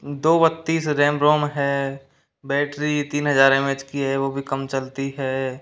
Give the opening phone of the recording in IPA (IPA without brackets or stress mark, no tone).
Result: d̪